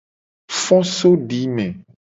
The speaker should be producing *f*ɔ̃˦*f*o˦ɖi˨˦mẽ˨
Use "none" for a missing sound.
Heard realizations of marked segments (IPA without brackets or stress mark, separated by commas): f, s